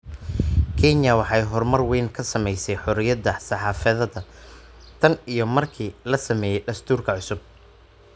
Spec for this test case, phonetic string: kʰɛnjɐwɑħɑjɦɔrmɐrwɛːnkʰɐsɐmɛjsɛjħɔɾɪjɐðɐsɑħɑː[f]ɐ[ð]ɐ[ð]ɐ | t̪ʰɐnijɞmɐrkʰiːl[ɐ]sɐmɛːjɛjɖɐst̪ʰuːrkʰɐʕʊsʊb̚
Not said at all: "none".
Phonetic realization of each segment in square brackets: f, ð, ð, ɐ

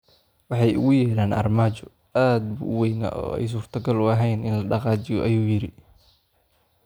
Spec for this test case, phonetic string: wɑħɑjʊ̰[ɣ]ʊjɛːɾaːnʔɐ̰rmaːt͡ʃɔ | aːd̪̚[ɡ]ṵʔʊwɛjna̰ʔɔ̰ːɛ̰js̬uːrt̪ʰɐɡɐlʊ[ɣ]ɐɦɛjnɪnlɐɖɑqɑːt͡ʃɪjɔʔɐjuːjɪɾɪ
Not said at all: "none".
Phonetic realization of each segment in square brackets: ɣ, b, none

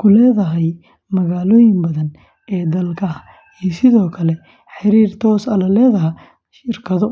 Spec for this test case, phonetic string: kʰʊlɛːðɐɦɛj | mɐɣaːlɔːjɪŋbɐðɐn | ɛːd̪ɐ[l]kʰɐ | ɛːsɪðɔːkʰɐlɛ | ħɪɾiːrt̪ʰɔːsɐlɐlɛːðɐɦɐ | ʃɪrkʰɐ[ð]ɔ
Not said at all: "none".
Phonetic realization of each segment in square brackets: l, ð

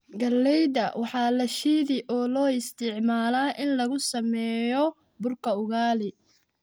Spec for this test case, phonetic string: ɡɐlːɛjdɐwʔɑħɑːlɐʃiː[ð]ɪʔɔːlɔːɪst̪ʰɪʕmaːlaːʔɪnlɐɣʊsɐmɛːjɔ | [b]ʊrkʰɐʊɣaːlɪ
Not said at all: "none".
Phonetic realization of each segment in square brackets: ð, b

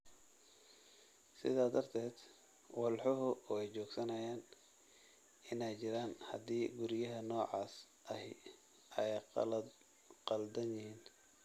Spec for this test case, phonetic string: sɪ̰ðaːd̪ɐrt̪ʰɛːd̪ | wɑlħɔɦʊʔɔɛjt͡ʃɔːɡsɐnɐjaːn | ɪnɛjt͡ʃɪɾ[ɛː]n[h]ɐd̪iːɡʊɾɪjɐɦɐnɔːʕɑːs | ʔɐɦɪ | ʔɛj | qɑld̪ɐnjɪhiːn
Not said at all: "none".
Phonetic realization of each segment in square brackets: aː, h

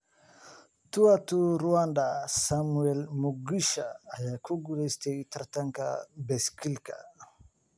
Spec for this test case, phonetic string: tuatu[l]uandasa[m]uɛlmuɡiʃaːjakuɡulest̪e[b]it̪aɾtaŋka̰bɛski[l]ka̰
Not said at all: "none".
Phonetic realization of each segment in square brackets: ɾ, m, none, l

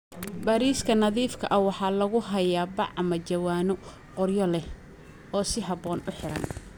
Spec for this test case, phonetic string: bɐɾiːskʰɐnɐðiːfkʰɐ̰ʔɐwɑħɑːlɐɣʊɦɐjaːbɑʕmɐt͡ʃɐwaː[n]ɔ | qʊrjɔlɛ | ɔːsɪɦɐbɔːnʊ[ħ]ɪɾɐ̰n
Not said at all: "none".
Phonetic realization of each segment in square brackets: n, ħ

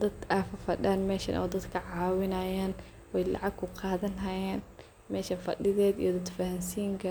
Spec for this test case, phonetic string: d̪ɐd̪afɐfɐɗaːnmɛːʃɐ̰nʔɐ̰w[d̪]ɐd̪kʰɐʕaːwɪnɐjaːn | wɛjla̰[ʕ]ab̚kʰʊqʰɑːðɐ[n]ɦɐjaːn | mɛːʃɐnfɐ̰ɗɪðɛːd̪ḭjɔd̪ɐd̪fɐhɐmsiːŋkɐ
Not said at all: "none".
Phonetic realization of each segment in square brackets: d̪, ʕ, n

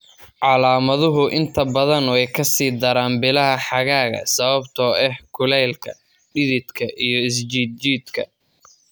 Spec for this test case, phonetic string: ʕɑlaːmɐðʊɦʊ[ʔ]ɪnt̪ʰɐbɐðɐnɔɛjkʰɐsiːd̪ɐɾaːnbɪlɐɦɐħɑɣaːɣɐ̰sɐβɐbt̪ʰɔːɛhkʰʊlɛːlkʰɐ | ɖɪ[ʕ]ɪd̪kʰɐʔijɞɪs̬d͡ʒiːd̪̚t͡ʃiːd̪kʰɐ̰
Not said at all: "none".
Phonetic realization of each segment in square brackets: ʔ, ð

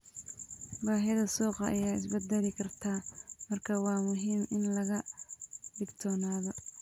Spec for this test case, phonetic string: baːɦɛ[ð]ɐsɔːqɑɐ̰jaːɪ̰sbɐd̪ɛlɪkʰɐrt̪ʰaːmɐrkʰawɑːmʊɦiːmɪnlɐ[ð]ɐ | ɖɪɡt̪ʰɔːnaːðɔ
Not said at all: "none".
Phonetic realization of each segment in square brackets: ð, ɣ

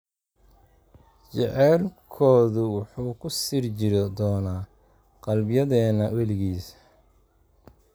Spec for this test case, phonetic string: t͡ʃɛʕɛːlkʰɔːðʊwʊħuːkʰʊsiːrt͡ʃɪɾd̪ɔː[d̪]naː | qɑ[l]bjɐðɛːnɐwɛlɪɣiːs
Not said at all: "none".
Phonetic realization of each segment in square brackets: none, l

